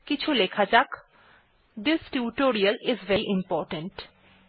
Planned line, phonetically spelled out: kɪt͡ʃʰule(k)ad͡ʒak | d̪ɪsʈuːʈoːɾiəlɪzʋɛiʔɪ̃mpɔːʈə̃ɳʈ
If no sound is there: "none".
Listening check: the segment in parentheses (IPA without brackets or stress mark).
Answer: kʰ